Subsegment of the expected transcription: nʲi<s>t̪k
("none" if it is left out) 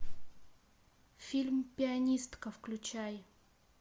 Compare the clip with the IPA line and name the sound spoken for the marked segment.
s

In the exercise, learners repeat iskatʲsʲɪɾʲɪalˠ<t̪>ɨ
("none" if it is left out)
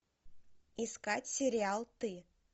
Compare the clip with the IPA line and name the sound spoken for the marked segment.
t̪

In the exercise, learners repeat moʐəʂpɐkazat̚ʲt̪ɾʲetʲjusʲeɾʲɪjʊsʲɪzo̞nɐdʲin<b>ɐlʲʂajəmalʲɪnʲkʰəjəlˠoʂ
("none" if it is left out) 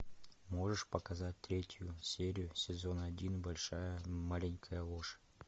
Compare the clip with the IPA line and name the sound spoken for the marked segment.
b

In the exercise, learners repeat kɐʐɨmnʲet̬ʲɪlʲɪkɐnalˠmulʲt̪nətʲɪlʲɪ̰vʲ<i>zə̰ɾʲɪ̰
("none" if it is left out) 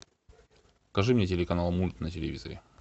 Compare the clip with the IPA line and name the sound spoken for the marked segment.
i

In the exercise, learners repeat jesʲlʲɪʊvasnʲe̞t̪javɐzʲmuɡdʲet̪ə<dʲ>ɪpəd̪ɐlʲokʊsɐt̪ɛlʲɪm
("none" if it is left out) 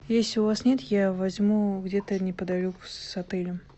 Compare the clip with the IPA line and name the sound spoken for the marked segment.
nʲ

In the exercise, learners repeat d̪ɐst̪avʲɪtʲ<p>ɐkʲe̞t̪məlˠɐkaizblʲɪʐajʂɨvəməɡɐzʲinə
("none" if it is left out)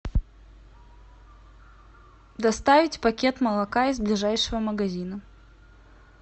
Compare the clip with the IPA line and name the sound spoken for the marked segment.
p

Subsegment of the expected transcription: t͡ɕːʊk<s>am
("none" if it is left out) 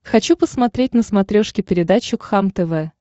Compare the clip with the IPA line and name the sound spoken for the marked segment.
x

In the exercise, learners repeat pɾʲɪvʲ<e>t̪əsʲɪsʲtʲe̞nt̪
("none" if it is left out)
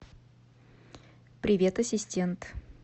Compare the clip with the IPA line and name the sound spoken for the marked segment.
e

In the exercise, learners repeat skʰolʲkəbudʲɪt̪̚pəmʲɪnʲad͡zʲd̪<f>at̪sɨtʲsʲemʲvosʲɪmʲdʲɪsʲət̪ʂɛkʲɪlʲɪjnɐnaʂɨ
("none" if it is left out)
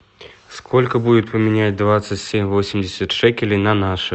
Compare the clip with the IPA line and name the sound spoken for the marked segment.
v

